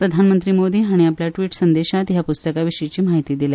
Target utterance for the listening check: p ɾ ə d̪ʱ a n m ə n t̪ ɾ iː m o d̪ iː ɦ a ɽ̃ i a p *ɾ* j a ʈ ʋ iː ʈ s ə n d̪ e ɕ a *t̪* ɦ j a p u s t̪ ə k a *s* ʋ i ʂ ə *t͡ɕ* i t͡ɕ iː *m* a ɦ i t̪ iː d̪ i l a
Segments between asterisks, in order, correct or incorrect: incorrect: l, correct, incorrect: none, incorrect: none, correct

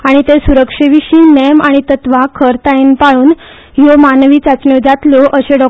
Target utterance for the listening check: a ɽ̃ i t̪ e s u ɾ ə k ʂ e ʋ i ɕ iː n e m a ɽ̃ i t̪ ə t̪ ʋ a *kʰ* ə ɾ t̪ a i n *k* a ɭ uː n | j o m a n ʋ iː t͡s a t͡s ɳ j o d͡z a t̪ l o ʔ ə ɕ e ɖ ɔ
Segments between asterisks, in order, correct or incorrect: correct, incorrect: p

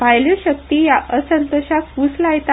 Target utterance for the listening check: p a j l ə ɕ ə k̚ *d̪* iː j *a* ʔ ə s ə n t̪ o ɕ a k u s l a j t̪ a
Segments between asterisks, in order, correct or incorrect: incorrect: t̪, correct

